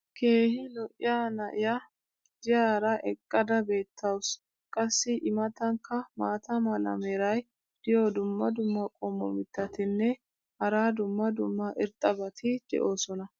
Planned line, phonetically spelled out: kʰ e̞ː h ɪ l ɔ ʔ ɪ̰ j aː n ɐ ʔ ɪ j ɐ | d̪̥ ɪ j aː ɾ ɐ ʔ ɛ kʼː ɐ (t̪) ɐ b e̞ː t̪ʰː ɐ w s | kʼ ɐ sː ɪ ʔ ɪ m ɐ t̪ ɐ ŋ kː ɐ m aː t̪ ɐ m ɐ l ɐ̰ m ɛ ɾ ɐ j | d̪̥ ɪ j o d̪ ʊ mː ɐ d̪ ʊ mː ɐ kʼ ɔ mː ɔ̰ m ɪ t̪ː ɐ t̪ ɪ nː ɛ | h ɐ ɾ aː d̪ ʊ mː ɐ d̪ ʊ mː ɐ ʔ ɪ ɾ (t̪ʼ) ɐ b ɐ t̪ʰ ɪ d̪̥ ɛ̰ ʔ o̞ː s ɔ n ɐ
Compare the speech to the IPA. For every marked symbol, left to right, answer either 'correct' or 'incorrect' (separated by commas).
incorrect, correct